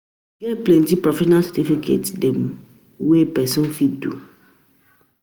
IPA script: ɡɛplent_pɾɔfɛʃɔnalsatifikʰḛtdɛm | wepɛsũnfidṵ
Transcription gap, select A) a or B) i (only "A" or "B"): B